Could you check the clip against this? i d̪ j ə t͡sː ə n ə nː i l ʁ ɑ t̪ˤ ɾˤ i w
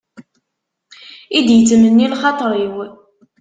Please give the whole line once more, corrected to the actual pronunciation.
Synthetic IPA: i d̪ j ə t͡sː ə m ə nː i l χ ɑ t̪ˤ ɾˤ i w